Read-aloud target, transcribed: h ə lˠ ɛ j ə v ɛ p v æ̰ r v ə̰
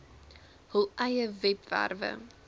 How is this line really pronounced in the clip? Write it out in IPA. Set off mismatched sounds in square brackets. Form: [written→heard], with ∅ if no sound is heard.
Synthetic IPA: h ə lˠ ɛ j ə v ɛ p v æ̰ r v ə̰